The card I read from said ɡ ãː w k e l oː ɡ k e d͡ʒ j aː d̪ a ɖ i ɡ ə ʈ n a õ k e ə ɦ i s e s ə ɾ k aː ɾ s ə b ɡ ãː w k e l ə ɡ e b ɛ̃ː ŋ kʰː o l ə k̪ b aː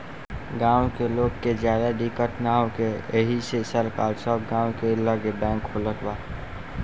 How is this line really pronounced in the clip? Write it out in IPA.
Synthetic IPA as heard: ɡ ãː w k e l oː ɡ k e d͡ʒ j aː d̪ a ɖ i k ə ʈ n a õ k e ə ɦ i s e s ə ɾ k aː l s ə b ɡ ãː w k e l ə ɡ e b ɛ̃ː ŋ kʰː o l ə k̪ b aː